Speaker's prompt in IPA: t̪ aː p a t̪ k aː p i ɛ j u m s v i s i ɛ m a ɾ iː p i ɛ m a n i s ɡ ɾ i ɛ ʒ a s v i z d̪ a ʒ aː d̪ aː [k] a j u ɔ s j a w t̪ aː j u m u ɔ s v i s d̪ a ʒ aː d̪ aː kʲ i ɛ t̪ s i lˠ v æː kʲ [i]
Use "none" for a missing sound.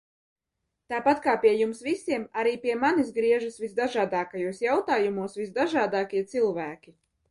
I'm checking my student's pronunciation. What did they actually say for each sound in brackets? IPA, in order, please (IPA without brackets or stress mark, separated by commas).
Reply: k, i